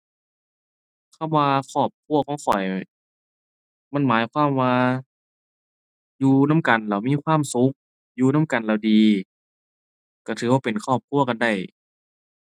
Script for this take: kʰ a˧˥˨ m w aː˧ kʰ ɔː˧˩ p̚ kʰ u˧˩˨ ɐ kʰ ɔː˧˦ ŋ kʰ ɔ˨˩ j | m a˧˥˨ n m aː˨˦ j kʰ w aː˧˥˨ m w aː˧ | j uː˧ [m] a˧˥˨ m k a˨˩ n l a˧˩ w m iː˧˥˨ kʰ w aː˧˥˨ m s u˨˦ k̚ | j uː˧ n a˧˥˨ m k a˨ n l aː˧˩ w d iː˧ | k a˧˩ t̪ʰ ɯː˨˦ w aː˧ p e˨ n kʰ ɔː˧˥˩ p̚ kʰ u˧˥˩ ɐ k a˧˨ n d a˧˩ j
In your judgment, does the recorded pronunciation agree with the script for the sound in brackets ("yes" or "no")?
no